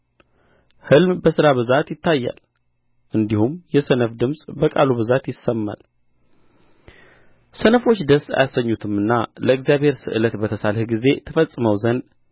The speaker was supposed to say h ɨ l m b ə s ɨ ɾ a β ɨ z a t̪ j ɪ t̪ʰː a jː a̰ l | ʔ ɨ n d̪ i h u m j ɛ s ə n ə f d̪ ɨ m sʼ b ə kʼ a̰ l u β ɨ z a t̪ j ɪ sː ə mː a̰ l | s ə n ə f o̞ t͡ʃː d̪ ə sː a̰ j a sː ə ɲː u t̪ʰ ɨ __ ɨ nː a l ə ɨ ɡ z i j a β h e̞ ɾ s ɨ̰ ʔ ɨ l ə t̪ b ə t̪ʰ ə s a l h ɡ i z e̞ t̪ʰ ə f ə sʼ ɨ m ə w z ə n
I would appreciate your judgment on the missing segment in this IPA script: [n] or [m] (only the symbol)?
m